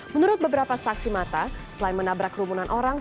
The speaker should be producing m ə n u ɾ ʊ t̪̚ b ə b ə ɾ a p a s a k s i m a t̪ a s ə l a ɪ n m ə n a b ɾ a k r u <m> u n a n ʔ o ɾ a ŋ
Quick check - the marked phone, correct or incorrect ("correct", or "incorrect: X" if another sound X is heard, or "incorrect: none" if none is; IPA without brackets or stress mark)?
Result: correct